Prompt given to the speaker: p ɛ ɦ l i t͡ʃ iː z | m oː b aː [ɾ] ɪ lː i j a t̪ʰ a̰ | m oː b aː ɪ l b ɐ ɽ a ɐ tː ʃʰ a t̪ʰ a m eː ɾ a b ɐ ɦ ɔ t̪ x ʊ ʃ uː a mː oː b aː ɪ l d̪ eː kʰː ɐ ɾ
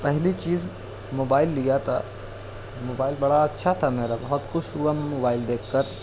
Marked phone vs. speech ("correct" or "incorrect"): incorrect